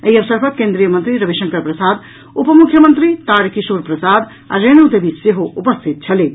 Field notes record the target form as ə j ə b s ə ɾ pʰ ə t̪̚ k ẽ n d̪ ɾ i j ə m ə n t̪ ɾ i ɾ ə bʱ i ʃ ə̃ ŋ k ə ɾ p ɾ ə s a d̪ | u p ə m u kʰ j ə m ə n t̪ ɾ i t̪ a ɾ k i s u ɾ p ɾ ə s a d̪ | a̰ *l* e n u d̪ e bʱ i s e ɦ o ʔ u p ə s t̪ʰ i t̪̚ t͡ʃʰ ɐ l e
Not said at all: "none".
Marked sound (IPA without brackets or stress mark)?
ɾ